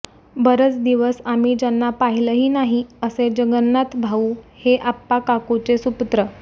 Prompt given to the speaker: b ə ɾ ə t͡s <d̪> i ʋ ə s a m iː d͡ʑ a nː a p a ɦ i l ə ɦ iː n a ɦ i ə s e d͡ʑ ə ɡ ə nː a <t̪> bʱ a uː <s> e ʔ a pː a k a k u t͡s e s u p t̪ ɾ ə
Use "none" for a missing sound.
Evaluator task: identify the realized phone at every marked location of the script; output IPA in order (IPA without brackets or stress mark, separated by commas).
d̪, t̪, h